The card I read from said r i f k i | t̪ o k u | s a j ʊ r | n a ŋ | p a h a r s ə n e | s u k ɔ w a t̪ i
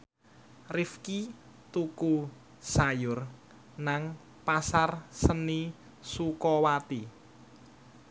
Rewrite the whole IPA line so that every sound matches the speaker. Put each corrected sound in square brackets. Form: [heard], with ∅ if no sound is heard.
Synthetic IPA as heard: r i f k i | t̪ [u] k u | s a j ʊ r | n a ŋ | p a [s] a r s ə n [i] | s u k ɔ w a t̪ i